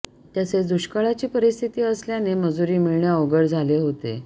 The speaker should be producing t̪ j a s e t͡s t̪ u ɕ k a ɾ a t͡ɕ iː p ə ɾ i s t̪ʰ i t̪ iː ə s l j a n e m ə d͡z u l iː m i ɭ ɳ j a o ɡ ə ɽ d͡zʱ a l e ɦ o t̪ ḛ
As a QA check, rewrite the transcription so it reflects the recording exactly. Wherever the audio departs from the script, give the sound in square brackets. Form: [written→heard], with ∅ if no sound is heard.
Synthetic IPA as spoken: t̪ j a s e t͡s [t̪→d̪] u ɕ k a [ɾ→ɭ] a t͡ɕ iː p ə ɾ i s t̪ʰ i t̪ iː ə s l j a n e m ə d͡z u [l→ɾ] iː m i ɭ ɳ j a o ɡ ə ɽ d͡zʱ a l e ɦ o t̪ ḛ